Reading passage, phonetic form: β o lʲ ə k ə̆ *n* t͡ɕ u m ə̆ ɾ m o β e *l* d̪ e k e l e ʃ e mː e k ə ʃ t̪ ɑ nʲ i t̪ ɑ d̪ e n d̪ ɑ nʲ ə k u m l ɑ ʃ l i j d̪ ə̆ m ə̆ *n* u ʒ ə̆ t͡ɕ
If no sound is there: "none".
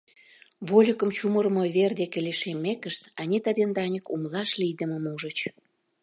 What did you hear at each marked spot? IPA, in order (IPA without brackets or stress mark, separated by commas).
m, r, m